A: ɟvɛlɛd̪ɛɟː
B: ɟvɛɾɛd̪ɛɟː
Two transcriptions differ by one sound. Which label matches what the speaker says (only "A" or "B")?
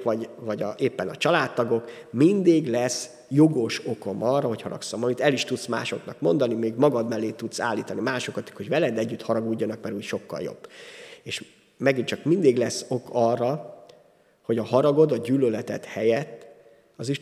A